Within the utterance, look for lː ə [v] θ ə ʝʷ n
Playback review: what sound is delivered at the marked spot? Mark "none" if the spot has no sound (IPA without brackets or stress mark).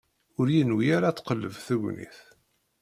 v